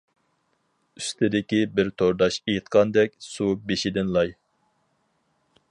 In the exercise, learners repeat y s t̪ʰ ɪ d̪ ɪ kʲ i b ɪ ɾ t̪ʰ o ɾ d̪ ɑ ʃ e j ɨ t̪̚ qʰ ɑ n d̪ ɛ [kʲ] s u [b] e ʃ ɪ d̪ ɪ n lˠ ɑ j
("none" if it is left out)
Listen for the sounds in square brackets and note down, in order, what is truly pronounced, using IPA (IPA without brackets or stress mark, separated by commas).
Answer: kʲ, b